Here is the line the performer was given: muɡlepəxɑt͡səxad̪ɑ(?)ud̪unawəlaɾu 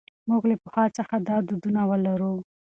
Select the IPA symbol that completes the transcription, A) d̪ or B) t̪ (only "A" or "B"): A